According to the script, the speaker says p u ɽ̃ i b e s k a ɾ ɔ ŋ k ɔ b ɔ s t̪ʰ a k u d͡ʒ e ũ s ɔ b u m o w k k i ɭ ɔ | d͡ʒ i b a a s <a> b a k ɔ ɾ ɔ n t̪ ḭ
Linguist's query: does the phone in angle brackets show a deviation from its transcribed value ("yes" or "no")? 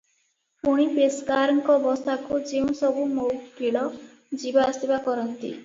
yes